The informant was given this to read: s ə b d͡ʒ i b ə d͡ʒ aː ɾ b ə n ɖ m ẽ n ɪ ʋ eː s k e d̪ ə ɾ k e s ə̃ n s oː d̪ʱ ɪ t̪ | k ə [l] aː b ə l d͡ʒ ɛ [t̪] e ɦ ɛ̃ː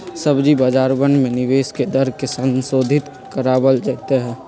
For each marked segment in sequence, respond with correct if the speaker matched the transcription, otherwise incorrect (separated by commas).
incorrect, correct